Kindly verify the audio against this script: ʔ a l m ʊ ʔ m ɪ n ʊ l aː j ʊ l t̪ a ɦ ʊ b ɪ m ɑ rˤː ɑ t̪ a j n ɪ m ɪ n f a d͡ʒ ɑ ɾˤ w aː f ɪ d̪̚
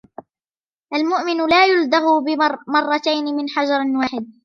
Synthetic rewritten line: ʔ a l m ʊ ʔ m ɪ n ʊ l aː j ʊ l d̪ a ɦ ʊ b ɪ m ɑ rˤː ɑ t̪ a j n ɪ m ɪ n ħ a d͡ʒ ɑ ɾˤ w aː ħ ɪ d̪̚